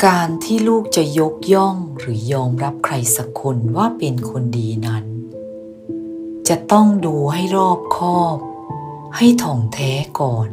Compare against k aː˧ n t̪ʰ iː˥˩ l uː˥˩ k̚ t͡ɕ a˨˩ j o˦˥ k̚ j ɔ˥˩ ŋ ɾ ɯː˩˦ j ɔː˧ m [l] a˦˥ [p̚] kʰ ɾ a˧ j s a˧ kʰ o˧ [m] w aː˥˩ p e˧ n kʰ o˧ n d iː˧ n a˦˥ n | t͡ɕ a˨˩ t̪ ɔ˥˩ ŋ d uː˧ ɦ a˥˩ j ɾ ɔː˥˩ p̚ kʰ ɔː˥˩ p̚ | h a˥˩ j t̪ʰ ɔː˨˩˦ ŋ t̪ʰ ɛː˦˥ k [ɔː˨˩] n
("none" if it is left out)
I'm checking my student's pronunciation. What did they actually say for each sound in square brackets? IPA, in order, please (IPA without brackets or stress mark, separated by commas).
ɾ, p̚, n, ɔː˨˩